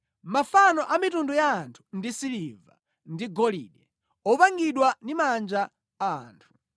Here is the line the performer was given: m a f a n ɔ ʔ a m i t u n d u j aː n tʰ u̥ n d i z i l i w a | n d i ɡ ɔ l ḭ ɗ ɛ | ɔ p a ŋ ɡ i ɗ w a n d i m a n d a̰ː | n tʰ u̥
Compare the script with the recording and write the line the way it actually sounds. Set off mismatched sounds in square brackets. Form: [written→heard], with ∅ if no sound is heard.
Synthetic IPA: m a f a n ɔ ʔ a m i t u n d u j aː n tʰ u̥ n d i [z→s] i l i [w→v] a | n d i ɡ ɔ l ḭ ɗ ɛ | ɔ p a ŋ ɡ i ɗ w a n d i m a n [d→d͡ʒ] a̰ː | n tʰ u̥